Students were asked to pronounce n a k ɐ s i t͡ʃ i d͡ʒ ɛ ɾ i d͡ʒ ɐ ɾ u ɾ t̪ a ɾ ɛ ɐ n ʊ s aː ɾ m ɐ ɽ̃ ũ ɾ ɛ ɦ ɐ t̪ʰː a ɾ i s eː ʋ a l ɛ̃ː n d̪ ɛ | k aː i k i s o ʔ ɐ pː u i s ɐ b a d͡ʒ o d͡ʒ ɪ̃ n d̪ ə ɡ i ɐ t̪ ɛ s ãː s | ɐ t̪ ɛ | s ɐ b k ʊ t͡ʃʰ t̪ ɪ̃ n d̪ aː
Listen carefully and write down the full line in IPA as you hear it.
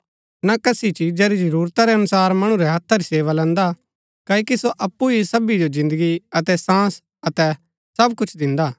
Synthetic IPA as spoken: n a k ɐ s i t͡ʃ i d͡ʒ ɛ ɾ i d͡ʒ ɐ ɾ uː ɾ t̪ a ɾ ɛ ɐ n ʊ s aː ɾ m ɐ ɽ̃ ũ ɾ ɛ ɦ ɐ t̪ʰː a ɾ i s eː ʋ a l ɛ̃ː n d̪ a | k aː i k i s o ʔ ɐ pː u i s ɐ b i d͡ʒ o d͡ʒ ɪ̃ n d̪ ə ɡ i ɐ t̪ ɛ s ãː s | ɐ t̪ ɛ | s ɐ b k ʊ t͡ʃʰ d̪ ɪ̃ n d̪ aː

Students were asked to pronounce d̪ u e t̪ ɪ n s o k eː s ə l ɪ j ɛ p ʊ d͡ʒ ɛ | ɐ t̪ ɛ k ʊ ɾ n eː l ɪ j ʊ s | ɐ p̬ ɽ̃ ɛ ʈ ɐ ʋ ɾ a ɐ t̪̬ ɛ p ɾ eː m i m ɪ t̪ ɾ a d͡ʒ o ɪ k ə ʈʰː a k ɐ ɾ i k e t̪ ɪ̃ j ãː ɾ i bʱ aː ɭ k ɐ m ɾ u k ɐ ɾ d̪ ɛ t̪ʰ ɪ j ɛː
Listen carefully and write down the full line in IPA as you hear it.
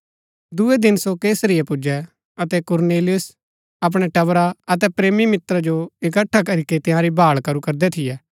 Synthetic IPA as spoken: d̪ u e d̪ ɪ n s o k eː s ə ɾ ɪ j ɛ p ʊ d͡ʒ ɛ | ɐ t̪ ɛ k ʊ ɾ n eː l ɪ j ʊ s | ɐ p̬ ɽ̃ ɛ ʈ ɐ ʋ ɾ a ɐ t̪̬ ɛ p ɾ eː m i m ɪ t̪ ɾ a d͡ʒ o ɪ k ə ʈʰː a k ɐ ɾ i k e t̪ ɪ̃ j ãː ɾ i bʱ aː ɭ k ɐ ɾ u k ɐ ɾ d̪ ɛ t̪ʰ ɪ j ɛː

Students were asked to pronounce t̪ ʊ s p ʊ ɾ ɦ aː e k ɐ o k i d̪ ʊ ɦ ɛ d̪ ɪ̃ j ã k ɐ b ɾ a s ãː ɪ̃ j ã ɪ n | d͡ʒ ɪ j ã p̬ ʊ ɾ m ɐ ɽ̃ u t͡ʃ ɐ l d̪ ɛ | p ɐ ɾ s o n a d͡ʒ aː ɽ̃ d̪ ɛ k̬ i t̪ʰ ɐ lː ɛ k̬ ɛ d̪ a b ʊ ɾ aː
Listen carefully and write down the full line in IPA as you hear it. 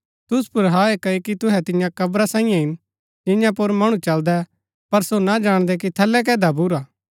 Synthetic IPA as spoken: t̪ ʊ s p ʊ ɾ ɦ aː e k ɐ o k i t̪ ʊ ɦ ɛ t̪ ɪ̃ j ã k ɐ b ɾ a s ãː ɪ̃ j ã ɪ n | d͡ʒ ɪ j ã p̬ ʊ ɾ m ɐ ɽ̃ u t͡ʃ ɐ l d̪ ɛ | p ɐ ɾ s o n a d͡ʒ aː ɽ̃ d̪ ɛ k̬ i t̪ʰ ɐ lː ɛ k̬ ɛː d̪ a b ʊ ɾ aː

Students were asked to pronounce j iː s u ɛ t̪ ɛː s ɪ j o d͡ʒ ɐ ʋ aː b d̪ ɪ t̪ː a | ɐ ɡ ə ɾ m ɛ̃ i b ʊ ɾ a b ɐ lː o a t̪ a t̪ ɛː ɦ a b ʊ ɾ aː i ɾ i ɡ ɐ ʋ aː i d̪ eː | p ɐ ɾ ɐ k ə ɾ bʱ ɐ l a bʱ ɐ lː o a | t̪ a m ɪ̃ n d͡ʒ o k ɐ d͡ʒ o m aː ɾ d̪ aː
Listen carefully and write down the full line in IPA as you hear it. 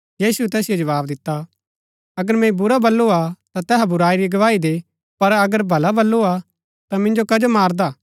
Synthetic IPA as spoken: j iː s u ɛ t̪ ɛː s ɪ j o d͡ʒ ɐ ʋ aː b d̪ ɪ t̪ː a | ɐ ɡ ə ɾ m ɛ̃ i b ʊ ɾ a b ɐ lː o a t̪ a t̪ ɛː ɦ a b ʊ ɾ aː i ɾ i ɡ ɐ ʋ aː i d̪ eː | p ɐ ɾ ɐ ɡ ə ɾ bʱ ɐ l a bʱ ɐ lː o a | t̪ a m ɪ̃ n d͡ʒ o k ɐ d͡ʒ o m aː ɾ d̪ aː

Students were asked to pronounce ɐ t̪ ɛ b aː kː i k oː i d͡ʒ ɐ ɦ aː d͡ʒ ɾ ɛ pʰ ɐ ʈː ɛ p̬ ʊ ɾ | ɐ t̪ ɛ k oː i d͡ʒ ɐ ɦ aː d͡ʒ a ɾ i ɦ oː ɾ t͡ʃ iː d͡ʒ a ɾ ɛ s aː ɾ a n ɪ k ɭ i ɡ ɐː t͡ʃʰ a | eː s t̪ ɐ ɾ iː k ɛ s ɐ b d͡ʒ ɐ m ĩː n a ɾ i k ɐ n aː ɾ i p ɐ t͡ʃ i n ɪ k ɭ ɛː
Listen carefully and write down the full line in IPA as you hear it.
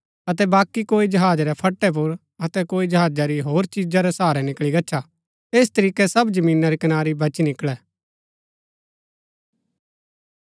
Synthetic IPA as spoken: ɐ t̪ ɛ b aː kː i k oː i d͡ʒ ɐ ɦ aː d͡ʒ ɾ ɛ pʰ ɐ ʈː ɛ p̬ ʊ ɾ | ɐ t̪ ɛ k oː i d͡ʒ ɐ ɦ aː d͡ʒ a ɾ i ɦ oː ɾ t͡ʃ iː d͡ʒ a ɾ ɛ s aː ɾ ɛ n ɪ k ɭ i ɡ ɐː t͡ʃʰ a | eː s t̪ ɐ ɾ iː k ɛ s ɐ b d͡ʒ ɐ m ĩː n a ɾ i k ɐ n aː ɾ i b ɐ t͡ʃ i n ɪ k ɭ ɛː

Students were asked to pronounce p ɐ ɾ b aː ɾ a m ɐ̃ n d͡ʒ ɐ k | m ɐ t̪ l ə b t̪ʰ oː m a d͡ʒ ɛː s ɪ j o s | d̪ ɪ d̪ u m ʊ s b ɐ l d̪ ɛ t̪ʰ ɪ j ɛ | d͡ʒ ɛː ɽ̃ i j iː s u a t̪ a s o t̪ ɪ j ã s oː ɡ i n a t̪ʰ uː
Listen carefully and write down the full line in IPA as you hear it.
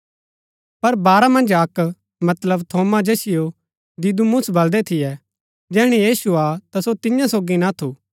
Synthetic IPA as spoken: p ɐ ɾ b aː ɾ a m ɐ̃ n d͡ʒ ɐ k | m ɐ t̪ l ə b t̪ʰ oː m a d͡ʒ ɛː s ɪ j o | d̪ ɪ d̪ u m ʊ s b ɐ l d̪ ɛ t̪ʰ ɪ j ɛ | d͡ʒ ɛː ɽ̃ i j iː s u a t̪ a s o t̪ ɪ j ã s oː ɡ i n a t̪ʰ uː

